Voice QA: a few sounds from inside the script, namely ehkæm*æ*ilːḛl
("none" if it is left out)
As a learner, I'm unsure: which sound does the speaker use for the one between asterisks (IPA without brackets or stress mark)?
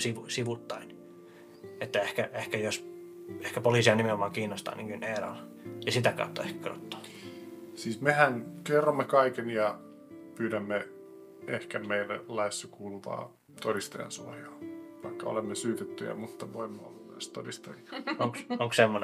e